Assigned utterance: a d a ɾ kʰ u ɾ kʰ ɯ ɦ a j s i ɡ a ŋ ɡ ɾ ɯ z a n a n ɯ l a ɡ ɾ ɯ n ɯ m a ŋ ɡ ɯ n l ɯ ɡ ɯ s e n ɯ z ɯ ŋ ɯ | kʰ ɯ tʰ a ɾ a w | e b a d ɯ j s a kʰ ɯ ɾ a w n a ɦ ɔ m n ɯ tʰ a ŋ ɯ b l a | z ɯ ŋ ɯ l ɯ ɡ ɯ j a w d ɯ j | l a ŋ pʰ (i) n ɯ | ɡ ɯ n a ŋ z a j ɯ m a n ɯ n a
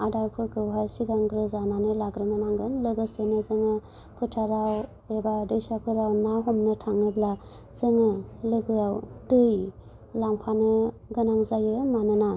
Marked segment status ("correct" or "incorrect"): incorrect